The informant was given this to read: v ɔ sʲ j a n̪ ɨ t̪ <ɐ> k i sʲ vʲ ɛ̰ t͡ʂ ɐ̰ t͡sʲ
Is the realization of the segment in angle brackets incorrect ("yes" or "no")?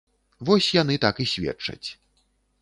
yes